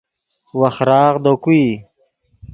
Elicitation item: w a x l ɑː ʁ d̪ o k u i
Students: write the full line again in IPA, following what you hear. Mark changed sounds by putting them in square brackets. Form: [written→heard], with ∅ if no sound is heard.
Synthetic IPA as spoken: w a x [l→ɾ] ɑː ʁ d̪ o k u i